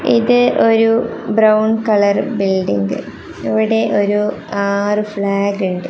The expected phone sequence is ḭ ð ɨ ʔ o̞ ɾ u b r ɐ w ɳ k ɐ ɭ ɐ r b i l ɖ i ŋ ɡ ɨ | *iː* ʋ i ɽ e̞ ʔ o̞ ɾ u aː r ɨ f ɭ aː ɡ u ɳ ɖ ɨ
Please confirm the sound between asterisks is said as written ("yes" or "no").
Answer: no